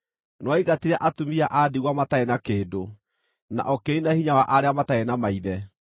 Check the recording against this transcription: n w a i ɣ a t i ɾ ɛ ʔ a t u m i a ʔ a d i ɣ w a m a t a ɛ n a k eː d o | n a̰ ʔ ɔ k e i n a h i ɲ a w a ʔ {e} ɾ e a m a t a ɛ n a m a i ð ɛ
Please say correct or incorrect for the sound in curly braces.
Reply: incorrect: a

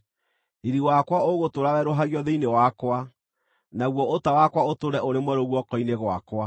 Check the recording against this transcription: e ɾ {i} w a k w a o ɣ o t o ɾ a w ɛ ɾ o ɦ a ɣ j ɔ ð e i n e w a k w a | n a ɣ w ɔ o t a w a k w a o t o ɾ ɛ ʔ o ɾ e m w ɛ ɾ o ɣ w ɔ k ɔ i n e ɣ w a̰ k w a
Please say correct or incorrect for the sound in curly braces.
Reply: correct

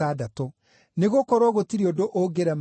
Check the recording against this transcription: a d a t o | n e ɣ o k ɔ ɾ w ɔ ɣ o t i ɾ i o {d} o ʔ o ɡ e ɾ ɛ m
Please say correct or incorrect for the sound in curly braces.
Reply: correct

